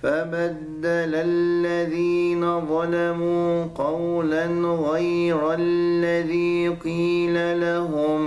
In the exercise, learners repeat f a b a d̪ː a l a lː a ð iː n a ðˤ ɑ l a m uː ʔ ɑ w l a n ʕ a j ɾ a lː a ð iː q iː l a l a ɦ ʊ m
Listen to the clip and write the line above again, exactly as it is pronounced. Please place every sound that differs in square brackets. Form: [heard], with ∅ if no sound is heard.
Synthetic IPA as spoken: f a b a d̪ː a l a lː a ð iː n a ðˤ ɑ l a m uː [q] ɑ w l a n [ɣ] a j ɾ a lː a ð iː q iː l a l a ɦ ʊ m

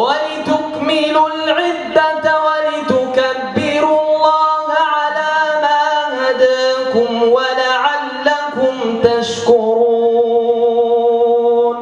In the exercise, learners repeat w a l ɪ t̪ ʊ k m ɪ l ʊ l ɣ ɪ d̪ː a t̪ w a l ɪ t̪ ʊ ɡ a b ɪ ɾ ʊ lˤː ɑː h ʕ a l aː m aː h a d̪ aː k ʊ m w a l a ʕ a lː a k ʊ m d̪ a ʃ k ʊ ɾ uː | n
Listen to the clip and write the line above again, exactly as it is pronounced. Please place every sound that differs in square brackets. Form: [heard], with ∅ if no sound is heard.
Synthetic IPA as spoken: w a l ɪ t̪ ʊ k m ɪ l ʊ l [ʕ] ɪ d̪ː a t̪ w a l ɪ t̪ ʊ [k] a [bː] ɪ ɾ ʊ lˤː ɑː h ʕ a l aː m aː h a d̪ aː k ʊ m w a l a ʕ a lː a k ʊ m [t̪] a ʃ k ʊ ɾ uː | n

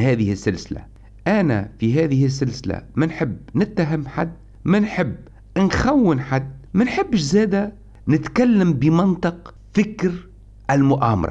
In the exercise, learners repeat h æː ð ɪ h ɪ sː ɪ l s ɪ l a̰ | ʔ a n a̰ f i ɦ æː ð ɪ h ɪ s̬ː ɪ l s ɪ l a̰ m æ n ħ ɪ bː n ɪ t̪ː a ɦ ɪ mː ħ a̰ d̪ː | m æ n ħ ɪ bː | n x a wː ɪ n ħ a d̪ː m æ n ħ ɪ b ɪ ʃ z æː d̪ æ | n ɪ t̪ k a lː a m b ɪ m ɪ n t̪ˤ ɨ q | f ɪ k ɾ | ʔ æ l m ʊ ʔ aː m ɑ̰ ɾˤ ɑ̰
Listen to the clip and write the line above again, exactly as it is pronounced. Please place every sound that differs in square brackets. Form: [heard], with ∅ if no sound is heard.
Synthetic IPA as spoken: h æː ð ɪ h ɪ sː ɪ l s ɪ l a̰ | ʔ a n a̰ f i ɦ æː ð ɪ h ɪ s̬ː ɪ l s ɪ l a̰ m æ n ħ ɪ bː n ɪ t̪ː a ɦ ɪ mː ħ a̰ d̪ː | m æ n ħ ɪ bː | n x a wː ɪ n ħ a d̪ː m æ n ħ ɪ [bː] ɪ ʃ z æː d̪ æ | n ɪ t̪ k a lː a m b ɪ m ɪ n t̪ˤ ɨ q | f ɪ k ɾ | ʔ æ l m ʊ ʔ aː m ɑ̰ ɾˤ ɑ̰

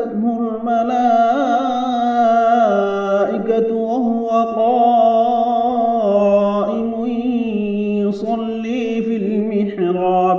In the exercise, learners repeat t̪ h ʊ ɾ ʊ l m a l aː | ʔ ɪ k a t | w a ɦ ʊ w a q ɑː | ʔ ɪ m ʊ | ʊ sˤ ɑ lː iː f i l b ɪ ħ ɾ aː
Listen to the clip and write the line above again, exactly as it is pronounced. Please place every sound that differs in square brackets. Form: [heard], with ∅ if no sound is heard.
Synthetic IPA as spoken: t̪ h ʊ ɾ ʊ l m a l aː | ʔ ɪ k a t | w a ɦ ʊ w a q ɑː | ʔ ɪ m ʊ | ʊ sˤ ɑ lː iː f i l [m] ɪ ħ ɾ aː

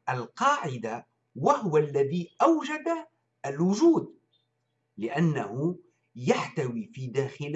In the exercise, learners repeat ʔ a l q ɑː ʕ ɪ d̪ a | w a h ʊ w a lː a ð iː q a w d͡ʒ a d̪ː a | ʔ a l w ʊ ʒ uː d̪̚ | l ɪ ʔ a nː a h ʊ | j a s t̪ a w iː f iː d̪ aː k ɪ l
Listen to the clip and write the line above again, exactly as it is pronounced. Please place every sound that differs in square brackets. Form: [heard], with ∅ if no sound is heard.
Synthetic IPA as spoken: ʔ a l q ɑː ʕ ɪ d̪ a | w a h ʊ w a lː a ð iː [ʔ] a w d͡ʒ a [d̪] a | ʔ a l w ʊ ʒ uː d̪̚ | l ɪ ʔ a nː a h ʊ | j a [ħ] t̪ a w iː f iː d̪ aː [x] ɪ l

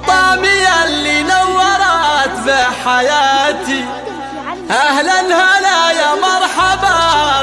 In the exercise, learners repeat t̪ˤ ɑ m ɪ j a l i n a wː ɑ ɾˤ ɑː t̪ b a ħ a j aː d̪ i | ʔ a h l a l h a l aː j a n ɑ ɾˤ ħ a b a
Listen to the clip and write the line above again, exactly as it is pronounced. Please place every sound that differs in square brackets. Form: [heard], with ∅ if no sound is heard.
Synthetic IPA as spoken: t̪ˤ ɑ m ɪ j a l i n a wː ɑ ɾˤ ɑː t̪ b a ħ a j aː [t̪] i | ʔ a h l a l h a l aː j a [m] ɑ ɾˤ ħ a b a

